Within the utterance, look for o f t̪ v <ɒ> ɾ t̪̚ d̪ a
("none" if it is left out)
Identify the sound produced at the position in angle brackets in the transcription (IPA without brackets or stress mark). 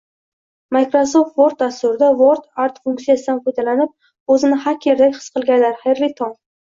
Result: o